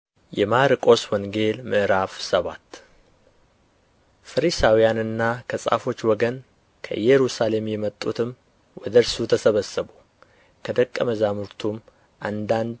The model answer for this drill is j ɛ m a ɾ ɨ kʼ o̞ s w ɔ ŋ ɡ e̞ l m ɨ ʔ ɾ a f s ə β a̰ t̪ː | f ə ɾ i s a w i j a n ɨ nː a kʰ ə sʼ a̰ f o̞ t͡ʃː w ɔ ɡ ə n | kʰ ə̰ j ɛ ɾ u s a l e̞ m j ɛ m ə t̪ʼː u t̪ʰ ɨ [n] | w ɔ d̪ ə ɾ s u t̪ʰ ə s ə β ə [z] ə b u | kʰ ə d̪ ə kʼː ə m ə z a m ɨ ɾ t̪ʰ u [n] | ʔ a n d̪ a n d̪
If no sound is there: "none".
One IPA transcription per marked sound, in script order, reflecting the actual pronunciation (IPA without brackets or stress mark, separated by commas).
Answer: m, s, m